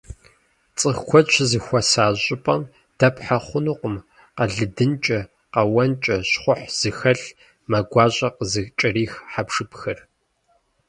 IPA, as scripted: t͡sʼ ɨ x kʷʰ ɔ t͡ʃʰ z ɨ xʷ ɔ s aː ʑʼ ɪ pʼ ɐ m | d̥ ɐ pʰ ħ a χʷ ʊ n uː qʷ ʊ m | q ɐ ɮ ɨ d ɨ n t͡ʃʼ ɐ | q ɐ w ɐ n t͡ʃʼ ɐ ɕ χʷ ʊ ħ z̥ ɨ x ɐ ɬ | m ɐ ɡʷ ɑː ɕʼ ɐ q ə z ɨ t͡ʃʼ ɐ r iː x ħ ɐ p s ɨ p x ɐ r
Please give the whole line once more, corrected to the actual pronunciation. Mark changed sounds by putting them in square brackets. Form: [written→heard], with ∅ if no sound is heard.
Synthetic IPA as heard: t͡sʼ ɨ x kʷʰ ɔ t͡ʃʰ z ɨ xʷ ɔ s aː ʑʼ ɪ pʼ ɐ m | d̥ ɐ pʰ ħ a χʷ ʊ n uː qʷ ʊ m | q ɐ ɮ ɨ d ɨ n t͡ʃʼ ɐ | q ɐ w ɐ n t͡ʃʼ ɐ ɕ χʷ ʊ ħ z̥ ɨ x ɐ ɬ | m ɐ ɡʷ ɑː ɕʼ ɐ q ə z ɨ t͡ʃʼ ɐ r iː x ħ [ɐ→a] p [s→ʂ] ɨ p x ɐ r